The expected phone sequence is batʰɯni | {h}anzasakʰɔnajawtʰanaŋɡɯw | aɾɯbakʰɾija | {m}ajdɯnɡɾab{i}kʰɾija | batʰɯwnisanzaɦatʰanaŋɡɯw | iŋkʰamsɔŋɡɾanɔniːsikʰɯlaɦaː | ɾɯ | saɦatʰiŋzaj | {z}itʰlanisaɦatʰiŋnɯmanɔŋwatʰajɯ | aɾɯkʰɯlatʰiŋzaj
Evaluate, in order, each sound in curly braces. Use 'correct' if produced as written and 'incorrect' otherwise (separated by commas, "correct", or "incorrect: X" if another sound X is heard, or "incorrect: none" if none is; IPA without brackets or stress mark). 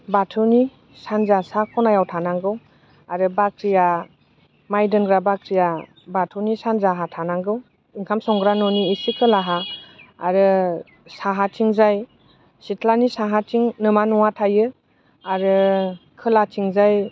incorrect: s, correct, incorrect: a, incorrect: s